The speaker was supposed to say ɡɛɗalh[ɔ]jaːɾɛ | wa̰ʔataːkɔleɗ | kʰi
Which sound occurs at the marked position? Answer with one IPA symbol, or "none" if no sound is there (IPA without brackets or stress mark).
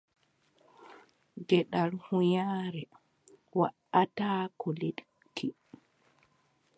u